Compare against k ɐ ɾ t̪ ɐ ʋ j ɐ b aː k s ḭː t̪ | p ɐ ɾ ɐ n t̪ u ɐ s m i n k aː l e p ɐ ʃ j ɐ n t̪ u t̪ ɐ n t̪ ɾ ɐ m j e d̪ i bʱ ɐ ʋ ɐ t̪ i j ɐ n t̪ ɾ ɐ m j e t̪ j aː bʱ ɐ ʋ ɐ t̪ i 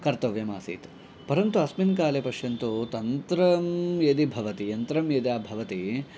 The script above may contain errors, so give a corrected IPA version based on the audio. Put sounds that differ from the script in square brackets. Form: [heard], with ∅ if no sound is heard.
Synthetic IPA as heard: k ɐ ɾ t̪ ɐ ʋ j ɐ [m] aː [∅] s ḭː t̪ | p ɐ ɾ ɐ n t̪ u ɐ s m i n k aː l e p ɐ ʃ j ɐ n t̪ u t̪ ɐ n t̪ ɾ ɐ m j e d̪ i bʱ ɐ ʋ ɐ t̪ i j ɐ n t̪ ɾ ɐ m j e [d̪] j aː bʱ ɐ ʋ ɐ t̪ i